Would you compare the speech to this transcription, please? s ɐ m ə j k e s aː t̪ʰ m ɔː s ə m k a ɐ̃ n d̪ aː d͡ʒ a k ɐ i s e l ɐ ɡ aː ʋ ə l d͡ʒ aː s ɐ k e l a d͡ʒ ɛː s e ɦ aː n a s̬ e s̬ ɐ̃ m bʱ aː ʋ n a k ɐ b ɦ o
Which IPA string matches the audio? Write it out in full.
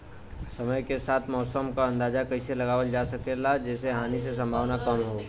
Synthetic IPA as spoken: s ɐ m ə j k e s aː t̪ʰ m ɔː s ə m k a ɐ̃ n d̪ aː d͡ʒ a k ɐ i s e l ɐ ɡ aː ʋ ə l d͡ʒ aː s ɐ k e l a d͡ʒ ɛː s e ɦ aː n i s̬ e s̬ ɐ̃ m bʱ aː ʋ n a k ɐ m ɦ o